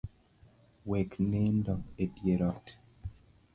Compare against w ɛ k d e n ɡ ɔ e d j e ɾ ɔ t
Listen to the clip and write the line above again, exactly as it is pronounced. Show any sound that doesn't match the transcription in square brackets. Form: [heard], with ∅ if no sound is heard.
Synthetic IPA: w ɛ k [n] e n [d] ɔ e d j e ɾ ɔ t